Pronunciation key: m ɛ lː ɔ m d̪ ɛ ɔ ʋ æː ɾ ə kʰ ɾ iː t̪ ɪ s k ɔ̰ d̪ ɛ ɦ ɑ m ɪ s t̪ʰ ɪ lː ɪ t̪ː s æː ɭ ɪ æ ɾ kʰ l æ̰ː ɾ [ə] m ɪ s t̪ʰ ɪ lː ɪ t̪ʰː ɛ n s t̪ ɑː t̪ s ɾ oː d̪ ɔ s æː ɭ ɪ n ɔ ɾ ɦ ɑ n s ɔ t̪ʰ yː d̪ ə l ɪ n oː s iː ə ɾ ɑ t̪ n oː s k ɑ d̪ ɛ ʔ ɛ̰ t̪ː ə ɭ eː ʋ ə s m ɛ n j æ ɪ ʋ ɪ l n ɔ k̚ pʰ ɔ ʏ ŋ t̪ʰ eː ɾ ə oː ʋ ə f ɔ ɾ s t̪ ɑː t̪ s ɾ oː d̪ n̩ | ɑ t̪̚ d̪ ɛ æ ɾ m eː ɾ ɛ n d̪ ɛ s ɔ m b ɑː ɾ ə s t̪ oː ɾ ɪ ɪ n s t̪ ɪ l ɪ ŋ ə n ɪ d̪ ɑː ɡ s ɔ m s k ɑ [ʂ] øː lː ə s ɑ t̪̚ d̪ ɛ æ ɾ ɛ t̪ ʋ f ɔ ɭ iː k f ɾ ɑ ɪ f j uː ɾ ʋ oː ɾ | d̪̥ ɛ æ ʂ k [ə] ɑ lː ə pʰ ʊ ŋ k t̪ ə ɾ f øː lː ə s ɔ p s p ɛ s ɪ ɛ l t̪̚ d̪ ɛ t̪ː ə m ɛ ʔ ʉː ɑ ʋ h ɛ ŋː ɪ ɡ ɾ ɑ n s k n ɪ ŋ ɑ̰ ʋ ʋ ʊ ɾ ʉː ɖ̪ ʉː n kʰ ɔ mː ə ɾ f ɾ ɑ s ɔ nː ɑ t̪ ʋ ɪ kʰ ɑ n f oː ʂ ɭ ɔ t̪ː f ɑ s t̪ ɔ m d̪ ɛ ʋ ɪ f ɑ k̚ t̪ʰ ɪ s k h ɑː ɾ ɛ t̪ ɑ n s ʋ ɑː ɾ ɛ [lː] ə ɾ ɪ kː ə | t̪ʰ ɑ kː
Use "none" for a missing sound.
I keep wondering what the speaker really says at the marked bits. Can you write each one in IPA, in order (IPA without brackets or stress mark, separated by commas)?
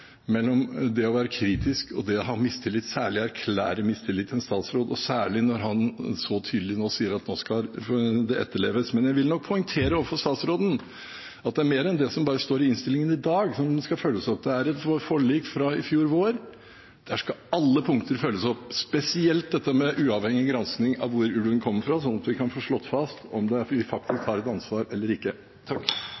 ə, f, ɑ, lː